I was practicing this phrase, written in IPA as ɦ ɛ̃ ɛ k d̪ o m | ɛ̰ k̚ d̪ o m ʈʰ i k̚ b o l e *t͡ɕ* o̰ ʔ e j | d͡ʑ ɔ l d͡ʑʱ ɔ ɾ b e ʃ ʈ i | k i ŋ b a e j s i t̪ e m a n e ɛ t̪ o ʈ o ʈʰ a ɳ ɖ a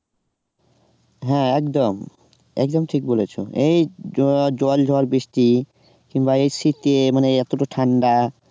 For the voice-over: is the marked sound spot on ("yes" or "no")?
no